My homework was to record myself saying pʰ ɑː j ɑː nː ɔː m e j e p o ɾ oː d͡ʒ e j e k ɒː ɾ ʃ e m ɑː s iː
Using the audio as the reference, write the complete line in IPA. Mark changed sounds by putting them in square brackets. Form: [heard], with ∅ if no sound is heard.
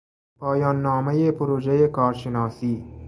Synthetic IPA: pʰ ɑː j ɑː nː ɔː m e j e p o ɾ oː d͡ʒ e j e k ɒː ɾ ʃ e [n] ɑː s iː